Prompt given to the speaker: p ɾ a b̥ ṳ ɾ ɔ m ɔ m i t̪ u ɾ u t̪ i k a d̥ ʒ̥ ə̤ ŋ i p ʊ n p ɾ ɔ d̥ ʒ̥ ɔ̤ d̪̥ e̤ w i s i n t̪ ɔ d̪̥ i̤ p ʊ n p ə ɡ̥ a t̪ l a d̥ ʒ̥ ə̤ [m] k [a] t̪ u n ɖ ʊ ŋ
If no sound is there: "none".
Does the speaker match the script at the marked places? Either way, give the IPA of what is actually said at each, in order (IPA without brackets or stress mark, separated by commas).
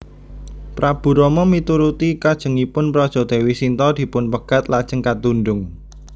ŋ, a